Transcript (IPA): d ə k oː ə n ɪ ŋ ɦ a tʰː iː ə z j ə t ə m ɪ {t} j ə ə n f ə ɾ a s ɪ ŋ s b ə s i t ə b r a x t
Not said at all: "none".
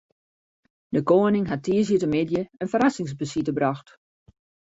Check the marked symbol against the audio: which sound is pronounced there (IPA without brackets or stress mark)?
d